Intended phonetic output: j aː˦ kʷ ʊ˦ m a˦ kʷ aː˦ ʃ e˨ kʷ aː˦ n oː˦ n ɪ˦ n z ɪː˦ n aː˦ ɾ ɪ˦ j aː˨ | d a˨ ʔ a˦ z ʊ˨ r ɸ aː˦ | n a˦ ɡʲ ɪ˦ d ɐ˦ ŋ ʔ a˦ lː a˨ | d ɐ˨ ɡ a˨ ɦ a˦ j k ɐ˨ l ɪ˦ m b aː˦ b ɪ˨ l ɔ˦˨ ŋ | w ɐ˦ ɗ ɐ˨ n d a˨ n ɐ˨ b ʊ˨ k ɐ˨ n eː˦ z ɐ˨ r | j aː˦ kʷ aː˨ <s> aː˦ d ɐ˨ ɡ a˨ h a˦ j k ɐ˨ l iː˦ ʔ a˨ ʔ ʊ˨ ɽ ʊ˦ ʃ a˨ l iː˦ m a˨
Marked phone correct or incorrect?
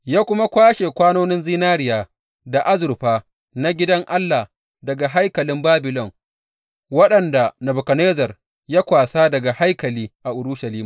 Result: correct